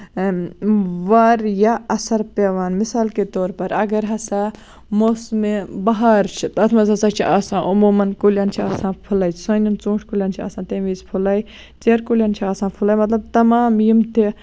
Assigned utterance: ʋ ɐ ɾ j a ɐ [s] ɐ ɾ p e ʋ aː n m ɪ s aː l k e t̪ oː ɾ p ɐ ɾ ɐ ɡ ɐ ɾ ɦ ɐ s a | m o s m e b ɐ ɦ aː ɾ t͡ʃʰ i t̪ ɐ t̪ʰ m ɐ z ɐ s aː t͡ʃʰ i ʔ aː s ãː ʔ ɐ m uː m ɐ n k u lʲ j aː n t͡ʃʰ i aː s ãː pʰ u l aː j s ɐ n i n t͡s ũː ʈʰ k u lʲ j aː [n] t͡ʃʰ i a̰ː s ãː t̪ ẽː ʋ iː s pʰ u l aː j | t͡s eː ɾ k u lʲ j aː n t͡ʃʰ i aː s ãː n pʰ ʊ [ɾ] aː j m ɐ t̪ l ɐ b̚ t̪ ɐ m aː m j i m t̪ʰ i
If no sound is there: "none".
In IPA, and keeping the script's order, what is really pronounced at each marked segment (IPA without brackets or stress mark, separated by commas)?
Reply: s, n, l